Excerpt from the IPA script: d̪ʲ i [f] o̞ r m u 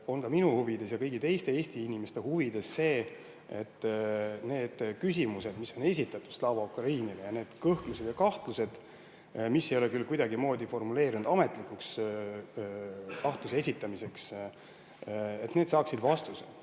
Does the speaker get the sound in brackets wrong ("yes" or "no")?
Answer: no